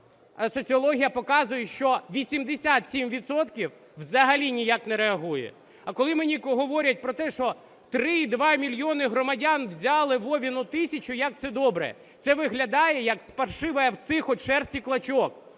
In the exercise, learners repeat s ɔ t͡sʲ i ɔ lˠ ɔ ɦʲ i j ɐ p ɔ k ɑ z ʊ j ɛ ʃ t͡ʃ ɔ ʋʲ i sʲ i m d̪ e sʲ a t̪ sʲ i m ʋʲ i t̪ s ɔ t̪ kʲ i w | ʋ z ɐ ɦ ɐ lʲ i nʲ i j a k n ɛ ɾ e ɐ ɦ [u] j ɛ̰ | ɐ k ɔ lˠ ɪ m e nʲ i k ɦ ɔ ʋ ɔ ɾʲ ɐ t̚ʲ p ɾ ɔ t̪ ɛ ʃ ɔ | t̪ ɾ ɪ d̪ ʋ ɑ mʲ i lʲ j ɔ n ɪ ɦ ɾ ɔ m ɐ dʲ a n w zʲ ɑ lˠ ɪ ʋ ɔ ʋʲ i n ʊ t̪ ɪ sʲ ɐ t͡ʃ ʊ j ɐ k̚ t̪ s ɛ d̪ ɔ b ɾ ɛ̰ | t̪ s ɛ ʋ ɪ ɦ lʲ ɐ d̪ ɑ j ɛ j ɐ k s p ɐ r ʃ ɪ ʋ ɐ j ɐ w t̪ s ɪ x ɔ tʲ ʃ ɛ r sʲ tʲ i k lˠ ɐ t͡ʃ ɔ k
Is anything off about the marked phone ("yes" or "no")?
no